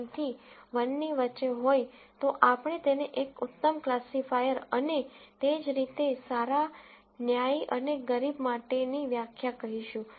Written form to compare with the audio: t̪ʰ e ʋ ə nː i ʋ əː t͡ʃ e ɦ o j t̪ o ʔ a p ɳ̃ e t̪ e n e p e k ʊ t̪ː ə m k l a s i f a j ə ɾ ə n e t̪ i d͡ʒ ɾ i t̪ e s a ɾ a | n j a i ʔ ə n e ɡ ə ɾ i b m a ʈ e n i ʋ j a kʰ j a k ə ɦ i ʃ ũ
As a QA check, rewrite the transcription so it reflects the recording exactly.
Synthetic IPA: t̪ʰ i ʋ ə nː i ʋ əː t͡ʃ e ɦ o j t̪ o ʔ a p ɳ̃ e t̪ e n e ʔ e k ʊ t̪ː ə m k l a s i f a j ə ɾ ə n e t̪ e d͡ʒ ɾ i t̪ e s a ɾ a | n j a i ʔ ə n e ɡ ə ɾ i b m a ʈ e n i ʋ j a kʰ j a k ə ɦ i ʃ ũ